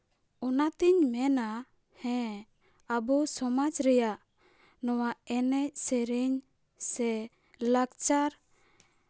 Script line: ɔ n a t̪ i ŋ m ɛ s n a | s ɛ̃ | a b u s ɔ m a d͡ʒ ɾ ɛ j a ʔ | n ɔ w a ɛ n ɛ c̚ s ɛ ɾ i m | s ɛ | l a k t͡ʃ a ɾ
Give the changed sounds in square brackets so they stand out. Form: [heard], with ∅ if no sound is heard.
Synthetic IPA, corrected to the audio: ɔ n a t̪ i [ɲ] m ɛ [∅] n a | [h] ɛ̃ | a b u s ɔ m a d͡ʒ ɾ ɛ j a ʔ | n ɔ w a ɛ n ɛ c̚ s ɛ ɾ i [ɲ] | s ɛ | l a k t͡ʃ a ɾ